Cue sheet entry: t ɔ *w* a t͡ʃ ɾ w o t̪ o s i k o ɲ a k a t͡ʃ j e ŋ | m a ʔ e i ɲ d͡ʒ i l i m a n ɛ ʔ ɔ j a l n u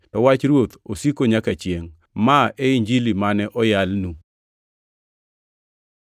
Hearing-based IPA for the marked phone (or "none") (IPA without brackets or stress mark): w